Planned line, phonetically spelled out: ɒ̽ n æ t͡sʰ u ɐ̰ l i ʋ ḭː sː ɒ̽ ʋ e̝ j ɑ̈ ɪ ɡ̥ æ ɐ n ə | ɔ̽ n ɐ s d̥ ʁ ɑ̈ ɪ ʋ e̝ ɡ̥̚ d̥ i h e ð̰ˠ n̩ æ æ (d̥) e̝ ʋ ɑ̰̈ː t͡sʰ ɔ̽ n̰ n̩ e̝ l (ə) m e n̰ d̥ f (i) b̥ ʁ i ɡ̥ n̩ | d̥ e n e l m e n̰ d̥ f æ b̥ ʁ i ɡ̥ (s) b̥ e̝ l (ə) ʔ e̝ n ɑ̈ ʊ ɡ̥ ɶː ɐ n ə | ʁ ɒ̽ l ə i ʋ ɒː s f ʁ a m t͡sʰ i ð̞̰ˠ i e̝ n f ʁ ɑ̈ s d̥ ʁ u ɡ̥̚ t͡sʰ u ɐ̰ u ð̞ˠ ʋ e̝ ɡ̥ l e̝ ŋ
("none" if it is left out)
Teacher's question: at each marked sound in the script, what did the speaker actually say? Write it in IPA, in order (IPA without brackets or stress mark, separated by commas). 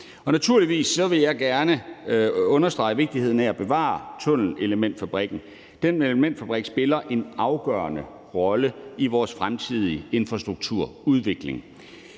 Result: b̥, ə, æ, s, ɐ